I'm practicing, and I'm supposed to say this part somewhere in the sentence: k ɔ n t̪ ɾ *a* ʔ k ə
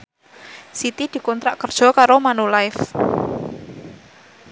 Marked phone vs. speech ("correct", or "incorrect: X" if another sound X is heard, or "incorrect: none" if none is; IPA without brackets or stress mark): correct